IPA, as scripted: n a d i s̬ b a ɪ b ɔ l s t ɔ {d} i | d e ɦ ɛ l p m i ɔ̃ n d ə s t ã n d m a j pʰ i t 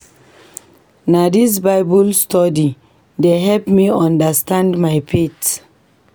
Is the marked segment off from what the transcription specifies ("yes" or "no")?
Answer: no